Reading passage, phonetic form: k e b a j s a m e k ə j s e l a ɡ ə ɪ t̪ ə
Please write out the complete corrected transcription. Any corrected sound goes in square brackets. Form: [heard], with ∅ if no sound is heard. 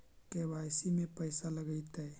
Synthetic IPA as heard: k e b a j s [i] m e [p] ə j s [a] l [ə] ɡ ə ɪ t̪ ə